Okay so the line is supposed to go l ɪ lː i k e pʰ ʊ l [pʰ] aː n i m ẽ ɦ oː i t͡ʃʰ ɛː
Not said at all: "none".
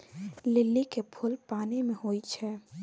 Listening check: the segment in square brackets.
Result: p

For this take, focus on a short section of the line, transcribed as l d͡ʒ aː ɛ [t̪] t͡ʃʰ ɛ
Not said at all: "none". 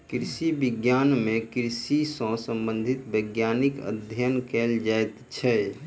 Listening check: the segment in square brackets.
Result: t̪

